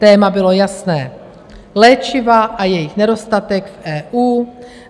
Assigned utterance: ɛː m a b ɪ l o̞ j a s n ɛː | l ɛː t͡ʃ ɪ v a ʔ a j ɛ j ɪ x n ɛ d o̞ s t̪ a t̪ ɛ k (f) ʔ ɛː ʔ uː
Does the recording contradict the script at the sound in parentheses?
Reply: no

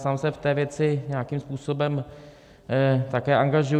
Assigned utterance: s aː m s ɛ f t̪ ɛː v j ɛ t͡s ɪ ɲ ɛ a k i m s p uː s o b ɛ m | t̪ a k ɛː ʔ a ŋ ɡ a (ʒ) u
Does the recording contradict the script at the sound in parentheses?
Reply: no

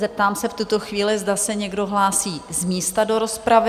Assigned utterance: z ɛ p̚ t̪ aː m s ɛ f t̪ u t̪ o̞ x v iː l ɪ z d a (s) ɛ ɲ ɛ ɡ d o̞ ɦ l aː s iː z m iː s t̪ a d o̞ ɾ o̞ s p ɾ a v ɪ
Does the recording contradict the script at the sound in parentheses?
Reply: no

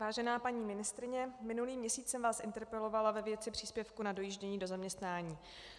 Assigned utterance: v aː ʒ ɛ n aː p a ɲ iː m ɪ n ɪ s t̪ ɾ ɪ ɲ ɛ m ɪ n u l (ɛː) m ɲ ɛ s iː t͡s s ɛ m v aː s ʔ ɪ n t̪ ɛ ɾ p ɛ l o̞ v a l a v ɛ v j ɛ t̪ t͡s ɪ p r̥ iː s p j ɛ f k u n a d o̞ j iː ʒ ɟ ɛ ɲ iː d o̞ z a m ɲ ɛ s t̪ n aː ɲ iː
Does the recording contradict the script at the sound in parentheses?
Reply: yes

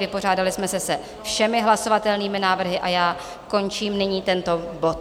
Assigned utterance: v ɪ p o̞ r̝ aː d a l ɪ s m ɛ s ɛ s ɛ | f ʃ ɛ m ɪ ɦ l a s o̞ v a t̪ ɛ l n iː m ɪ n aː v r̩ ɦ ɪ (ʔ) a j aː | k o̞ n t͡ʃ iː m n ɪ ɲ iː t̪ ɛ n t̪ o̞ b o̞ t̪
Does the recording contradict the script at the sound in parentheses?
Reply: no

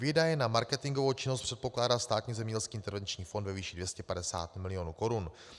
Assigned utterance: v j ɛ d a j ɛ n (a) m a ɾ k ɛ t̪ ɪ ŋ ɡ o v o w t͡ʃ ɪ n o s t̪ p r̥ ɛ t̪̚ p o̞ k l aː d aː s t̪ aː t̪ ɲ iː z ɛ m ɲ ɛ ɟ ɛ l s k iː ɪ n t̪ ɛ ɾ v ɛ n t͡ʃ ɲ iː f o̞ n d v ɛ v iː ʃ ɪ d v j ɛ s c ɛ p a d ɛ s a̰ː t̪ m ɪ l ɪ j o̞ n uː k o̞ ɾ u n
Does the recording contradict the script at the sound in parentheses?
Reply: no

